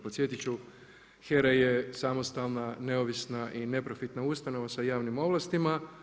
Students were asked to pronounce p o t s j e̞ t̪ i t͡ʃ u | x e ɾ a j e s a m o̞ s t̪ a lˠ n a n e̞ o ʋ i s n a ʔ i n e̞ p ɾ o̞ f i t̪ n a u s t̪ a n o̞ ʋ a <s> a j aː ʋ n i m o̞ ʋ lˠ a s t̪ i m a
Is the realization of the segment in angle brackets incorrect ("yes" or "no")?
no